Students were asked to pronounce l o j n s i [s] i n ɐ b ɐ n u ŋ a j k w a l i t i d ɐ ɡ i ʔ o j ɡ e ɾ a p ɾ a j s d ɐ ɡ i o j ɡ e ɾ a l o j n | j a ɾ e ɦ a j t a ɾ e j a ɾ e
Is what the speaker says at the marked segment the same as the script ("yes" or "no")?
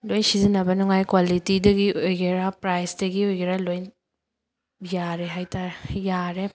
no